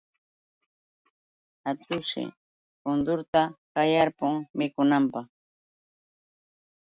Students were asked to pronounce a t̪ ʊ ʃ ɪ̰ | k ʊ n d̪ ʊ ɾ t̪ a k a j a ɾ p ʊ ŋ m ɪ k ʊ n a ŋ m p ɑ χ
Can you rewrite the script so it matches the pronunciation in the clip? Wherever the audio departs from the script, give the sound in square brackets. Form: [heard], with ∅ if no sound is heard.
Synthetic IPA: a t̪ ʊ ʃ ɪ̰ | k ʊ n d̪ ʊ ɾ t̪ a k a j a ɾ p ʊ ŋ m ɪ k ʊ n a [∅] m p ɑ χ